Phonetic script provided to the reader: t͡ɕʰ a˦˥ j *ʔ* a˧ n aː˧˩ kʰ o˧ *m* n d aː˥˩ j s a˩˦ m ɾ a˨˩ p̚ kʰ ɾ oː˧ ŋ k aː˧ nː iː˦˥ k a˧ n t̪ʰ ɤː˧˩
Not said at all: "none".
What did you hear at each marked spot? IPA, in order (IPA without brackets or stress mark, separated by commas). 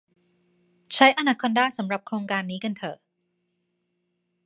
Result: ʔ, none